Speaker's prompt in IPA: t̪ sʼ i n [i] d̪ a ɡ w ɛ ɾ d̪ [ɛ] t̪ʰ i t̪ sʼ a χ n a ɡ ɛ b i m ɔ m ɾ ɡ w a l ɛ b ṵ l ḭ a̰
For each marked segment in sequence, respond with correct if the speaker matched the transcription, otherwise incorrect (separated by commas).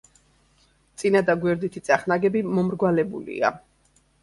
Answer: incorrect, incorrect